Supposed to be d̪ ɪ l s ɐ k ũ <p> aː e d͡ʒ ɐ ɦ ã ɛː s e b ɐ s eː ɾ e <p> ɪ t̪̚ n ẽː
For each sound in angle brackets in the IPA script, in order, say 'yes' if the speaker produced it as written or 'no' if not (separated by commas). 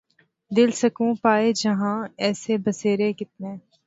yes, no